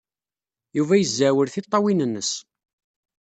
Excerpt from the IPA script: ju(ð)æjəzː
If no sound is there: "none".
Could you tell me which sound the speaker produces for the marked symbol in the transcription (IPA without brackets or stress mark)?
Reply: v